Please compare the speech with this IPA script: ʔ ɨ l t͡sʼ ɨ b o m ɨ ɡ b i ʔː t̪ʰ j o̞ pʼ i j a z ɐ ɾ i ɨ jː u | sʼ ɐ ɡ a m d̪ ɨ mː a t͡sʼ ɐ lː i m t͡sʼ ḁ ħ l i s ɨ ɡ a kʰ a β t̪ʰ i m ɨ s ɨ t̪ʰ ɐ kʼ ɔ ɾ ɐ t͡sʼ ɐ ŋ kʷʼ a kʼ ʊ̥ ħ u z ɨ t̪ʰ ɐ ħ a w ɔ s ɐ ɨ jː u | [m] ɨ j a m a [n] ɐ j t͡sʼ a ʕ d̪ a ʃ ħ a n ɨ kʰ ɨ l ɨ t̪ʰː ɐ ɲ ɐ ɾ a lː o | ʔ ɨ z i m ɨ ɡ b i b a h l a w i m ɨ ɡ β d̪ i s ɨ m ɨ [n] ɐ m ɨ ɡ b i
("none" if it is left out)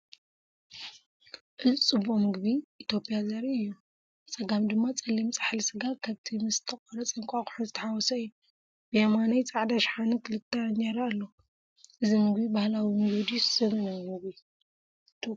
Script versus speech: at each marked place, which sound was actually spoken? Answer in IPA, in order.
b, n, n

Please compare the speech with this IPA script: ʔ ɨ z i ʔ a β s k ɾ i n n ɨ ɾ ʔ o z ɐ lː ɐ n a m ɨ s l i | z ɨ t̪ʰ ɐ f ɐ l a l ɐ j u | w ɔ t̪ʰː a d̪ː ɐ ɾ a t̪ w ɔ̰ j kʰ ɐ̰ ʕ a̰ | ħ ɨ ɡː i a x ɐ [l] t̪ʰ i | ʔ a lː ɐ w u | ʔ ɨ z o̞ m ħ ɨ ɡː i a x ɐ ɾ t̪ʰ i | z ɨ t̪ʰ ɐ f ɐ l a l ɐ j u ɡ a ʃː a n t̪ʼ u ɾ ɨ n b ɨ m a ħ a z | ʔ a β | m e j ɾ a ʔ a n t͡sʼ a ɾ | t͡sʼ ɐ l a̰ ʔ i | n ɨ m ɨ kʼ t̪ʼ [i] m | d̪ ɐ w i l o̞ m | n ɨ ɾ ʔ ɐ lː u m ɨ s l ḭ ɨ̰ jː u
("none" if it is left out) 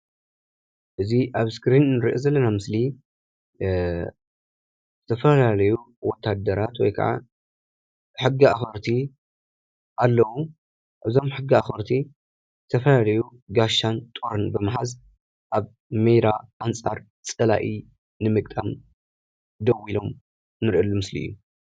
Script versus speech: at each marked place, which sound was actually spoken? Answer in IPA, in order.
ɾ, a

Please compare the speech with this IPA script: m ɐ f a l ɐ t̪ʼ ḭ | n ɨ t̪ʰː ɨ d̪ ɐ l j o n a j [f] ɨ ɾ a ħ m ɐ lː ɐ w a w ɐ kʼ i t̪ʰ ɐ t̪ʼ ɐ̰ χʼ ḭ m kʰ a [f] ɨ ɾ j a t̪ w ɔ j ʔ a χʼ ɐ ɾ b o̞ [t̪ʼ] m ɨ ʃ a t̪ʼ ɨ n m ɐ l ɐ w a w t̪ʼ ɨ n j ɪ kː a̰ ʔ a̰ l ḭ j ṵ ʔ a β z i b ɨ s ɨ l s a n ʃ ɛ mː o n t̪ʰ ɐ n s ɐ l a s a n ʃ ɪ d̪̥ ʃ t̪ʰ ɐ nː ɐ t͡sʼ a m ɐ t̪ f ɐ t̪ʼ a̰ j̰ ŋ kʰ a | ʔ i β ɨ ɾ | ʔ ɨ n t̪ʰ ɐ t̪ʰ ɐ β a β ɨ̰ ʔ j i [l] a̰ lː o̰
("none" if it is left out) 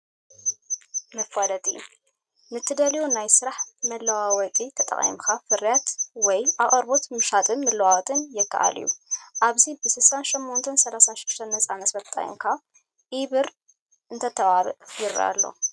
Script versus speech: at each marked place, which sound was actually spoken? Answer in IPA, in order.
s, f, t̪, ɾ

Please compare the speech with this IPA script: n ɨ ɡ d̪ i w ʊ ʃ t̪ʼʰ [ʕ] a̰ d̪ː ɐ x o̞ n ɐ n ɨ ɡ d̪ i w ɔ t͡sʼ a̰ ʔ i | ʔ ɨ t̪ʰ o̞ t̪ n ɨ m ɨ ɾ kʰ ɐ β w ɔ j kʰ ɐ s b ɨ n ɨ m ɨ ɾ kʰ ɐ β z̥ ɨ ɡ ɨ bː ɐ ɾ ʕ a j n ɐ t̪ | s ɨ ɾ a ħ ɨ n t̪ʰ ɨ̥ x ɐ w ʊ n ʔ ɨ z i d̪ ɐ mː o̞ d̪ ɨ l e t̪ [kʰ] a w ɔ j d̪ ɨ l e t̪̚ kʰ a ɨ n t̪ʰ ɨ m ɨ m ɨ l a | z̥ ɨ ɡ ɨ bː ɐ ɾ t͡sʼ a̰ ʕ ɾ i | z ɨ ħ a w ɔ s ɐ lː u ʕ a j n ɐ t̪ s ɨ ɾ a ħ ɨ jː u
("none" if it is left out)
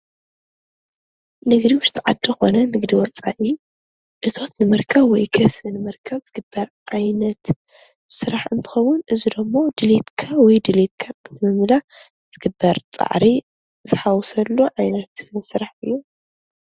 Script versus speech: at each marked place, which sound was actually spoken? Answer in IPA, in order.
ʕ, kʰ

